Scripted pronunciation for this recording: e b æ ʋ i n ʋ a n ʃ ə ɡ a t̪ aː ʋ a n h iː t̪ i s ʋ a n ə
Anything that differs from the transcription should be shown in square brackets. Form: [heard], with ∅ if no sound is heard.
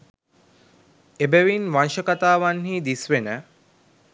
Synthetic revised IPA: e b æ ʋ i n ʋ a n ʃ ə [k] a t̪ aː ʋ a n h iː [d̪] i s ʋ [e] n ə